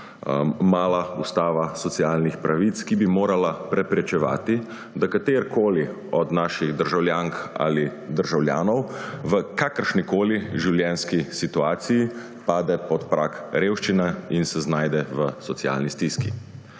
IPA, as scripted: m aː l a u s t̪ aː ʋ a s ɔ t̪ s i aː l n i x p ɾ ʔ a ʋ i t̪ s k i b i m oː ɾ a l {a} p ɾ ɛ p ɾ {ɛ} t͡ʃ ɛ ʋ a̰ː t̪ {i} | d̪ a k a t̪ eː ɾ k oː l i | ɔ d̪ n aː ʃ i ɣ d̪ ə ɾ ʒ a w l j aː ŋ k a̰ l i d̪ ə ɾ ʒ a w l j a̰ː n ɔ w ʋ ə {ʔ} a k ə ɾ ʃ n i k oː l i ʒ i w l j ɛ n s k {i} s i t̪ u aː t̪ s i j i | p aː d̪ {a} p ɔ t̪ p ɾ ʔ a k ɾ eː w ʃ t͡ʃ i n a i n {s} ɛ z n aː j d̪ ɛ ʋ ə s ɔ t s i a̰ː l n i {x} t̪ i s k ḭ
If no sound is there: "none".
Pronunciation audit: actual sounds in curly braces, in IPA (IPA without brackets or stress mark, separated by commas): a, ɛ, i, k, i, ɛ, s, s